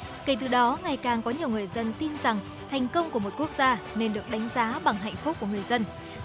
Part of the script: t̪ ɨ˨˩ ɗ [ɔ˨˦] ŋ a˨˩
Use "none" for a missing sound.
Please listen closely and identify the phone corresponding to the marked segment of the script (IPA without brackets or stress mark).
ɔ˨˦